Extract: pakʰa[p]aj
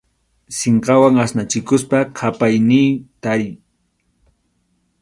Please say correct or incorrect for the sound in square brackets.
correct